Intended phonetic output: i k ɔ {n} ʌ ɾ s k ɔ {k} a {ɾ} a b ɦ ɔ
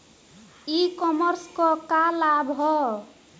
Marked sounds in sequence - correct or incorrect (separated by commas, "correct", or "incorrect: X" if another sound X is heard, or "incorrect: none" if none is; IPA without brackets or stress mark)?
incorrect: m, correct, incorrect: l